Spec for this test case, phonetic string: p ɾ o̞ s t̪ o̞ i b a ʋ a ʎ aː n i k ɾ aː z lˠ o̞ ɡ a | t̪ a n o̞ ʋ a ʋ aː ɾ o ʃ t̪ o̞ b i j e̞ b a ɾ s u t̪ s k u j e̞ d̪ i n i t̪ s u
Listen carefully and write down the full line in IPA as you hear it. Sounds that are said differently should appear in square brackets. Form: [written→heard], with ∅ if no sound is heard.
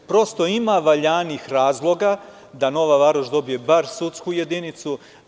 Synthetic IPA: p ɾ o̞ s t̪ o̞ i [b→m] a ʋ a ʎ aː n i [k→x] ɾ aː z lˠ o̞ ɡ a | [t̪→d̪] a n o̞ ʋ a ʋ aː ɾ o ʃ [t̪→d̪] o̞ b i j e̞ b a ɾ s u t̪ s k u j e̞ d̪ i n i t̪ s u